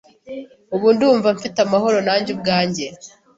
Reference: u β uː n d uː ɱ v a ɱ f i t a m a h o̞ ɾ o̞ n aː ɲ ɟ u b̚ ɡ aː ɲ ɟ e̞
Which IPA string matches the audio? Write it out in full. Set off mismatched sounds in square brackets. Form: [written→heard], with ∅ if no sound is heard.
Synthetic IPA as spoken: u β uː n d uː ɱ v a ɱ f i t a m a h o̞ ɾ o̞ n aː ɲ ɟ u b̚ ɡ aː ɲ ɟ e̞